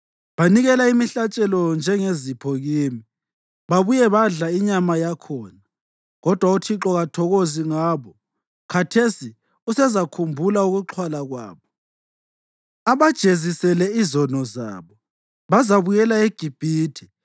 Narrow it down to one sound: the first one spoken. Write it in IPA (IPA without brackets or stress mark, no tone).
β